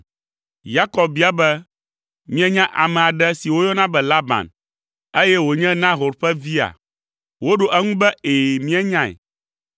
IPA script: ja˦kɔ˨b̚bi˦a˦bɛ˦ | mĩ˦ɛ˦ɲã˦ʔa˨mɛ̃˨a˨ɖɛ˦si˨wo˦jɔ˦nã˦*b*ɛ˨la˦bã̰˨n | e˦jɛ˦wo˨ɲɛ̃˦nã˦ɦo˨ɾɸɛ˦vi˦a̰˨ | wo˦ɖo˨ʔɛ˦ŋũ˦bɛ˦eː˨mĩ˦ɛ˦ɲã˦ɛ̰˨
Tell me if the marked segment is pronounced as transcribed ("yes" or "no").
yes